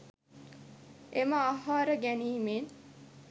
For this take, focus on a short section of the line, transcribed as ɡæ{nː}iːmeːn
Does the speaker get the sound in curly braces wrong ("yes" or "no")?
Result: yes